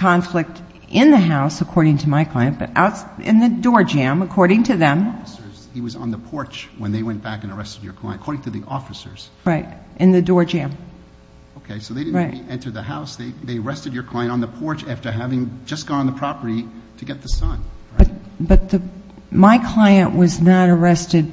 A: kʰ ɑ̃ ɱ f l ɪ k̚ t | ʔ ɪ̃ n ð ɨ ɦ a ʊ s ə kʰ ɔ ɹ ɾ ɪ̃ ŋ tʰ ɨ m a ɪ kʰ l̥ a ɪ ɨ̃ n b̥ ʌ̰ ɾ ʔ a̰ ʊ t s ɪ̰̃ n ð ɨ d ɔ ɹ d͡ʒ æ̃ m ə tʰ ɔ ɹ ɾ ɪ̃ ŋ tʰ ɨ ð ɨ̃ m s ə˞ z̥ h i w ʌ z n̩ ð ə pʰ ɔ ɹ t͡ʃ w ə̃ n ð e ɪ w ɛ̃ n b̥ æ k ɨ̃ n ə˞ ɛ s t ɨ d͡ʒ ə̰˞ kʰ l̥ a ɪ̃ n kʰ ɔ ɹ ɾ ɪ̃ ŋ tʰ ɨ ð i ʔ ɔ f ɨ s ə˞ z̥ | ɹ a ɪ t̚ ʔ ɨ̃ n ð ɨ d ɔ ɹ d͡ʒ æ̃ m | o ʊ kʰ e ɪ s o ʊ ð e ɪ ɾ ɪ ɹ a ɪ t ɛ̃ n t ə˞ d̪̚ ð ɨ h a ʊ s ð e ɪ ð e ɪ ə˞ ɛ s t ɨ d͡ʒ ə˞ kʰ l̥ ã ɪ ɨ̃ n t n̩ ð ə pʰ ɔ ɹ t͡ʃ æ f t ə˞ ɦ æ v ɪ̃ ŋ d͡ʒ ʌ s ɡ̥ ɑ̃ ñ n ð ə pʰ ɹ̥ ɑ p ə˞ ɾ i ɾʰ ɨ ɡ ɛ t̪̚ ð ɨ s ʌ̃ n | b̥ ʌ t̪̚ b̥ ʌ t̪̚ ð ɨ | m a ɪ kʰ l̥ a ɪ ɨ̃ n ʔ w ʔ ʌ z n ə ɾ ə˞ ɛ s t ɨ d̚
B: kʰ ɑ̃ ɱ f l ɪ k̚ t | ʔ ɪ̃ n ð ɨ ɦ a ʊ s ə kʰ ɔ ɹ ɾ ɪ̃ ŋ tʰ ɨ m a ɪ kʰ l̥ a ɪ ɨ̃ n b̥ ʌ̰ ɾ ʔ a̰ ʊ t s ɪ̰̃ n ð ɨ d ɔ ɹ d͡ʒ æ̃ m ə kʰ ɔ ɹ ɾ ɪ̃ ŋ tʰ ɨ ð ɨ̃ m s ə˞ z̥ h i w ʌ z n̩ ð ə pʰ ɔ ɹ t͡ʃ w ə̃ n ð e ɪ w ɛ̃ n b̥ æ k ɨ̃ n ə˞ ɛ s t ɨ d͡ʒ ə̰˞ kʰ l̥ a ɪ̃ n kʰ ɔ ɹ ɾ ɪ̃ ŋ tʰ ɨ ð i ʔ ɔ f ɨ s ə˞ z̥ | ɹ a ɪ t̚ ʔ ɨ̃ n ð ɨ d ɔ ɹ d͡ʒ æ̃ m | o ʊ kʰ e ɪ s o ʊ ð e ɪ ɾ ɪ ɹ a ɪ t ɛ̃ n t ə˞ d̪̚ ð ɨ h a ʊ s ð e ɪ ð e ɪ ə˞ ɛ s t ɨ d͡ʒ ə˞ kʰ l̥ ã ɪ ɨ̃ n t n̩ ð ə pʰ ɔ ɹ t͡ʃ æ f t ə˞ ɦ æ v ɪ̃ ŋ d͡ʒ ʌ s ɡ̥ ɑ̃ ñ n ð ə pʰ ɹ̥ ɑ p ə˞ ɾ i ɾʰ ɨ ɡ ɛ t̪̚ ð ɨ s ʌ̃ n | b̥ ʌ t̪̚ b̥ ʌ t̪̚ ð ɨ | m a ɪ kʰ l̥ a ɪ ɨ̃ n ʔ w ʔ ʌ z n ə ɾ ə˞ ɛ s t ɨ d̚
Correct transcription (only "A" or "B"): B